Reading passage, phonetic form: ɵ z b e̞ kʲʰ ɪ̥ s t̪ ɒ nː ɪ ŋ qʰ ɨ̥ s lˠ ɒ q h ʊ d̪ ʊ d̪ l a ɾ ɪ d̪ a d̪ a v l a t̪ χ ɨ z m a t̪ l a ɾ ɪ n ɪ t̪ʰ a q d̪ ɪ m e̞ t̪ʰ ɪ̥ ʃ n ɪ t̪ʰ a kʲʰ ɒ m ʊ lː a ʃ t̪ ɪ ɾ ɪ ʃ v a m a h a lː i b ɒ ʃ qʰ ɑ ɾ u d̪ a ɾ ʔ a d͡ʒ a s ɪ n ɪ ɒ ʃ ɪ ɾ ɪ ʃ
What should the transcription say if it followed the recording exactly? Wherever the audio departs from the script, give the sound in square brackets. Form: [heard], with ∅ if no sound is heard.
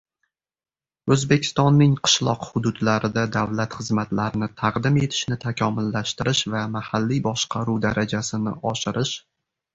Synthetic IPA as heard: ɵ z b e̞ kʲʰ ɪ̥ s t̪ ɒ nː ɪ ŋ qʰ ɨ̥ [ʃ] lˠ ɒ q h ʊ d̪ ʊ d̪ l a ɾ ɪ d̪ a d̪ a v l a t̪ χ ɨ z m a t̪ l a ɾ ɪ n ɪ t̪ʰ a q d̪ ɪ m e̞ t̪ʰ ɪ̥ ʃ n ɪ t̪ʰ a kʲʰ ɒ m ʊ lː a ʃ t̪ ɪ ɾ ɪ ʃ v a m a h a lː i b ɒ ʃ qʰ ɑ ɾ u d̪ a ɾ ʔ a d͡ʒ a s ɪ n ɪ ɒ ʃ ɪ ɾ ɪ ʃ